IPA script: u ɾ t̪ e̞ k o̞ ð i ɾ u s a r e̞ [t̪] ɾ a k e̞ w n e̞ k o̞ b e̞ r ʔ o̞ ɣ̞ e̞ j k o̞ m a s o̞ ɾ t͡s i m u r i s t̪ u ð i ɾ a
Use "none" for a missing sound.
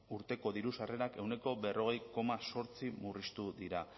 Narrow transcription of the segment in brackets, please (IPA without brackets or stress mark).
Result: none